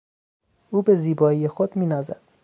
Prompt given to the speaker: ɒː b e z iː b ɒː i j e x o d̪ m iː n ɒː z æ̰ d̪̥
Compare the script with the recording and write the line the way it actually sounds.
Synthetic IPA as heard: uː b e z iː b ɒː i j e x o d̪ m iː n ɒː z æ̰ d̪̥